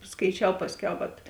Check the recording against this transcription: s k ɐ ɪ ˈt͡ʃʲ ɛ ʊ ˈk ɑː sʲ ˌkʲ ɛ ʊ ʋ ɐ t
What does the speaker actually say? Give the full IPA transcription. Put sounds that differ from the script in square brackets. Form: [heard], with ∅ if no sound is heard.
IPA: s k ɐ ɪ ˈt͡ʃʲ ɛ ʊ [ˈp] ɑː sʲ ˌkʲ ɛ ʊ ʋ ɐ t